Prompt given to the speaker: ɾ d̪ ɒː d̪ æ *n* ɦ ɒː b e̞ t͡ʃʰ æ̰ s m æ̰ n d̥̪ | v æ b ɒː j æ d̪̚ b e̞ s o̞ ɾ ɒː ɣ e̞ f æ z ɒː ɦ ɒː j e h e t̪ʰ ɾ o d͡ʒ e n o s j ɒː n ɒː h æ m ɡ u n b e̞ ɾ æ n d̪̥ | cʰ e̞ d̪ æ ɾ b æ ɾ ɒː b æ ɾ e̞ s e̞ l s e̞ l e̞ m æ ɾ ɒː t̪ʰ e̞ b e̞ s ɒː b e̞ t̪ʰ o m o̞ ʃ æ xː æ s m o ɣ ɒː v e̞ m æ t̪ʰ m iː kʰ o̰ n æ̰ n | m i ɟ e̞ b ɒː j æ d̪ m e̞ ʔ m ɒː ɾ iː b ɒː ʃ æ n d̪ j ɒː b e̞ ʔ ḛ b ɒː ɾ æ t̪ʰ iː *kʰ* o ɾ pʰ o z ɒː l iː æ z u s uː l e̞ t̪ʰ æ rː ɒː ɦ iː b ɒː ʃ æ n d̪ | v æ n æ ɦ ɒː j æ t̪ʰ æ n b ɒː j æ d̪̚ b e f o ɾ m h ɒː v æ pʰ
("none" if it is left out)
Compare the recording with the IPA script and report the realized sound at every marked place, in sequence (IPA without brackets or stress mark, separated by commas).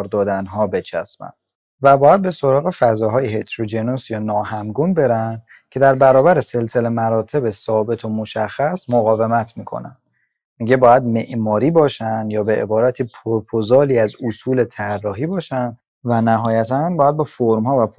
n, pʰ